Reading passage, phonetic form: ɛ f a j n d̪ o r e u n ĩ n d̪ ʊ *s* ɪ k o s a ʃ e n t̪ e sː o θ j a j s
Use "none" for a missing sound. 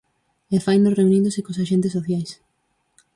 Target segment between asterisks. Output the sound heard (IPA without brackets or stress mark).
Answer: s